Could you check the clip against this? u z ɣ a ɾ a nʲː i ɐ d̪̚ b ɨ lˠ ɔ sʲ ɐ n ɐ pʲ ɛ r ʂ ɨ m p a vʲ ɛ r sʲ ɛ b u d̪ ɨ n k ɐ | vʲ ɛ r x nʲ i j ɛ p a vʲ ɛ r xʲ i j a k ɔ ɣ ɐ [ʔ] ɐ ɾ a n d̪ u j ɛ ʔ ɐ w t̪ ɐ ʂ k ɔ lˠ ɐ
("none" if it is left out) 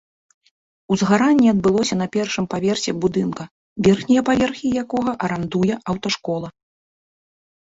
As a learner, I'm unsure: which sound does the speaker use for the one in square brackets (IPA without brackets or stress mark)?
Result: ʔ